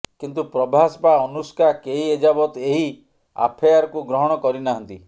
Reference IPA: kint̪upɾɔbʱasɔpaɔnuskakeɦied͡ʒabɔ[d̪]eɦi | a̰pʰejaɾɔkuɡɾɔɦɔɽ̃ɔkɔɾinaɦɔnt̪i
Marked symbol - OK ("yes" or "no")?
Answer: no